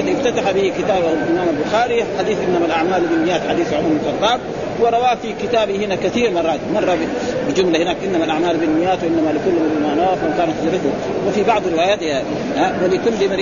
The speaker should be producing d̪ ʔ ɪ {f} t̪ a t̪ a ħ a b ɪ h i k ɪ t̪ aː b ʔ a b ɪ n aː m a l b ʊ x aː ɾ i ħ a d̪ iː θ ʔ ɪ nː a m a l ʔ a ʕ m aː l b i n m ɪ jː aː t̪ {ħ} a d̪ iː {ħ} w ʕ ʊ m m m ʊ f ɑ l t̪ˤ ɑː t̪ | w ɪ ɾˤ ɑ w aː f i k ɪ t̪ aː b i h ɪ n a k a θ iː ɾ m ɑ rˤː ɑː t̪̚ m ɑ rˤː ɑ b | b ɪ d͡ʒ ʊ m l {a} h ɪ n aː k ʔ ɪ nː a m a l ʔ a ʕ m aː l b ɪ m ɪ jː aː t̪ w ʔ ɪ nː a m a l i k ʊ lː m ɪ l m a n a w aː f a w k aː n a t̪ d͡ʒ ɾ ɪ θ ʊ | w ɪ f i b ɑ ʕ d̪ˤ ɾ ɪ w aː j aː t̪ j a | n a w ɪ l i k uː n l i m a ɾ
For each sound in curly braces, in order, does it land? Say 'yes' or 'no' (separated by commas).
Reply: yes, yes, no, yes